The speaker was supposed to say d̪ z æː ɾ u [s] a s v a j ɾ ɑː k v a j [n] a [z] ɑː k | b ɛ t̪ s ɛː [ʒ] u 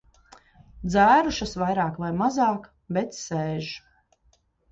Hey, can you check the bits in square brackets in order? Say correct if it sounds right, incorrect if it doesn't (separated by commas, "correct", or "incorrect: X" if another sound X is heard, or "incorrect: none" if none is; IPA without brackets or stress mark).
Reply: incorrect: ʃ, incorrect: m, correct, correct